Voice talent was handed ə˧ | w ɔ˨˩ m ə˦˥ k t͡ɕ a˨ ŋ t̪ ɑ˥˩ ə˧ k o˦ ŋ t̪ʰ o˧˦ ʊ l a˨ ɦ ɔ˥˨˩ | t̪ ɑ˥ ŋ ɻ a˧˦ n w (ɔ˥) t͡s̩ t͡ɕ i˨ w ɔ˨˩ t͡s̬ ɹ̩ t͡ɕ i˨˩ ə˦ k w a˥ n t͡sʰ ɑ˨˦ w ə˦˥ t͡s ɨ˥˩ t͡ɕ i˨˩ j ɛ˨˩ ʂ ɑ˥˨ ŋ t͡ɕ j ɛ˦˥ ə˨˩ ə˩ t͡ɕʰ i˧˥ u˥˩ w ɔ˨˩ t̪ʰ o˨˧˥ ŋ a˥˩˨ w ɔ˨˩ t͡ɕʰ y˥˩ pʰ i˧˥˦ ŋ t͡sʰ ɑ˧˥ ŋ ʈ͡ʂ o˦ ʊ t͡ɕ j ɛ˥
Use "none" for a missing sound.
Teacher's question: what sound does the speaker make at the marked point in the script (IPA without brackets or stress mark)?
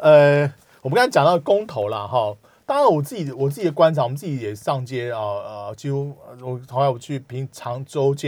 ɔ˨˩